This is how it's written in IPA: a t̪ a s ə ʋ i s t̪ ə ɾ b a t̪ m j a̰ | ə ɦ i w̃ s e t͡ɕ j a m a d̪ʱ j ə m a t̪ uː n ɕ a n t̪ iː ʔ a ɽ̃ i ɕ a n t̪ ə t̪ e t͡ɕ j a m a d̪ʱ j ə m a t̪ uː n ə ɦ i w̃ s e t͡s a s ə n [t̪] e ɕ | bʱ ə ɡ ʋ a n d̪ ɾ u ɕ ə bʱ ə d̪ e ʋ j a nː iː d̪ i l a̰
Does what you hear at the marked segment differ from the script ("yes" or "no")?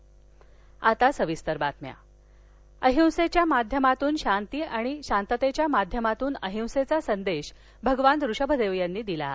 yes